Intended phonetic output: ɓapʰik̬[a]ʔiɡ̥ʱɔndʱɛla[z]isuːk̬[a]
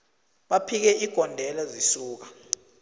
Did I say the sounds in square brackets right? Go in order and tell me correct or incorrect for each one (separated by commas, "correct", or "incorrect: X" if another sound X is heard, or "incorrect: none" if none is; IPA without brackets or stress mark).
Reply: incorrect: ɛ, correct, correct